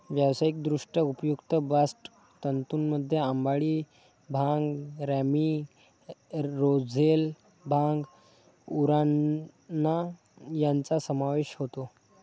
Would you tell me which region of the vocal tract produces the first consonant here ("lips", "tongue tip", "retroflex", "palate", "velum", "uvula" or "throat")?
lips